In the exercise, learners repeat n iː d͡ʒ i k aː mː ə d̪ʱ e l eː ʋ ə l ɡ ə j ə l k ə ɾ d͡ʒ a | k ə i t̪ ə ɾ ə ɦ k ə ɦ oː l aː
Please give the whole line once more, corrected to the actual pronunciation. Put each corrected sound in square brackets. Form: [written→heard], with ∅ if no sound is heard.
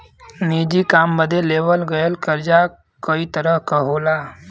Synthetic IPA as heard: n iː d͡ʒ i k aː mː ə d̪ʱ e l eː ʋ ə l ɡ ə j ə l k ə ɾ d͡ʒ a | k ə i t̪ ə ɾ ə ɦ k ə ɦ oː l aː

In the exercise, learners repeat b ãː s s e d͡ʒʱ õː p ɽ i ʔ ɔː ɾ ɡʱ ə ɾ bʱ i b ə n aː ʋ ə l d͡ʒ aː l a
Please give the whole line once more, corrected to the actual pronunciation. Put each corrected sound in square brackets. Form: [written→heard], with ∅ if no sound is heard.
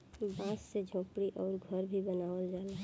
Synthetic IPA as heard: b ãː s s e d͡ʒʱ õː p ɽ i ʔ ɔː ɾ ɡʱ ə ɾ bʱ i b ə n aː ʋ ə l d͡ʒ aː l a

